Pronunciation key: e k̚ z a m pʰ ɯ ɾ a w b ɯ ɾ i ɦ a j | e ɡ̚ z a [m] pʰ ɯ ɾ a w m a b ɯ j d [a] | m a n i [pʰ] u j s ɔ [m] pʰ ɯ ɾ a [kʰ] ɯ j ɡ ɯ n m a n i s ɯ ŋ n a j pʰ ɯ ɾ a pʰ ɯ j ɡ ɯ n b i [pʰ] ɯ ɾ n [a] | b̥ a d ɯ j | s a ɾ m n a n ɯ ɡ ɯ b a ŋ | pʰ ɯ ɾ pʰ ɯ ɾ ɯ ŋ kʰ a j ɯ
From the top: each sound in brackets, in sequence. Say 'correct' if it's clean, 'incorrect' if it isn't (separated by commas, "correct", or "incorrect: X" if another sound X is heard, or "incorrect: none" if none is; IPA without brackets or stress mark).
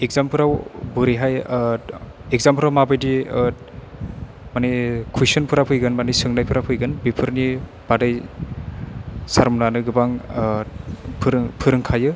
correct, incorrect: i, incorrect: kʰ, incorrect: n, incorrect: pʰ, correct, incorrect: i